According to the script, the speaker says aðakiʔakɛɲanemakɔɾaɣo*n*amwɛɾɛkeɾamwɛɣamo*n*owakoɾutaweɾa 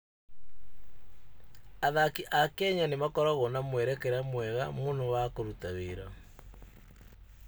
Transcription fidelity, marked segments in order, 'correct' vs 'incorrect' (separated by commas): correct, correct